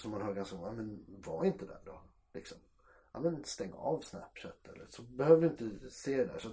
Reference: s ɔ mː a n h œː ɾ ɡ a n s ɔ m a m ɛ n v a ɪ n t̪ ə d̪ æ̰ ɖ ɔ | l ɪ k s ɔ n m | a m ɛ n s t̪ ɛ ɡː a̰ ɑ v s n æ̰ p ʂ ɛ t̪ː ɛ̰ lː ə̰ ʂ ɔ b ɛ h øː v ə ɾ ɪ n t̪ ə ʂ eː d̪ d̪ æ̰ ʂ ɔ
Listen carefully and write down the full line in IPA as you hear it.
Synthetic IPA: s ɔ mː a n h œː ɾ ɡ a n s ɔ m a m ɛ n v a ɪ n t̪ ə d̪ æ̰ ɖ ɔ | l ɪ k s ɔ m | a m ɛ n s t̪ ɛ ŋː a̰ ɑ v s n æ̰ p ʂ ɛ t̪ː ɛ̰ lː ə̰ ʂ ɔ b ɛ h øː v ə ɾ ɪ n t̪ ə s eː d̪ d̪ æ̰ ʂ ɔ